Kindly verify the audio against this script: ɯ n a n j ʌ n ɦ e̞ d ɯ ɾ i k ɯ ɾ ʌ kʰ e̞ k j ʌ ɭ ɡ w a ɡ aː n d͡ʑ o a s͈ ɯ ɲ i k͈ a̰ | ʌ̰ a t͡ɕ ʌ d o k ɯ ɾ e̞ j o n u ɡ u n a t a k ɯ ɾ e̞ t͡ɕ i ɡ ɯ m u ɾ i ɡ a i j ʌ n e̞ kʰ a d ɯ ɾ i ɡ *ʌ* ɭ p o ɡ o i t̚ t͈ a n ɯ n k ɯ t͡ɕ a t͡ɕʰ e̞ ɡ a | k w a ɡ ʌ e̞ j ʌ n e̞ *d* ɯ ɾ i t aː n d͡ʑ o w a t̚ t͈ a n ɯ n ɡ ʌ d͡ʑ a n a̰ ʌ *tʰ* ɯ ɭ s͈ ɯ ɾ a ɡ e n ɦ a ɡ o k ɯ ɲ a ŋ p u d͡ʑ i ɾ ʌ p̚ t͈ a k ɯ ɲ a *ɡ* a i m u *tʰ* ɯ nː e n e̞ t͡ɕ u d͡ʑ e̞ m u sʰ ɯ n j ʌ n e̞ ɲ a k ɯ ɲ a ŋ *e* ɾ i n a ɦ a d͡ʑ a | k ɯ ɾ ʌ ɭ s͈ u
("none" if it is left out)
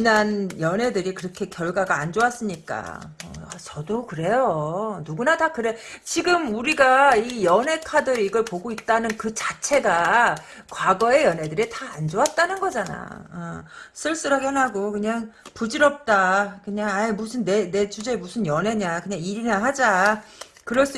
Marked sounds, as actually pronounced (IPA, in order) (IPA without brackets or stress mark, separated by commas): ʌ, d, sʰ, ŋ, sʰ, i